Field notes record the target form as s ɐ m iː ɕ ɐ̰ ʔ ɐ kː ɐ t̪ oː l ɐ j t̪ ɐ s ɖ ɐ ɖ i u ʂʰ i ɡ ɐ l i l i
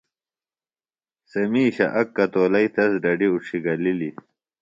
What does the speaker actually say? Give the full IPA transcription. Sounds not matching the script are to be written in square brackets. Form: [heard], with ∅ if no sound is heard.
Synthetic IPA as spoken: s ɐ m iː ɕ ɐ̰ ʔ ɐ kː ɐ t̪ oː l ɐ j t̪ ɐ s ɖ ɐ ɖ i u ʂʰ i ɡ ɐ l i l i